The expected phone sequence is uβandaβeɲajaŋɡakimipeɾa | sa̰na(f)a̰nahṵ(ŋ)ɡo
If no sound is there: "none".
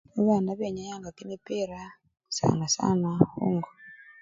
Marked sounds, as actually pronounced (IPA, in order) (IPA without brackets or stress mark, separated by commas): s, ŋ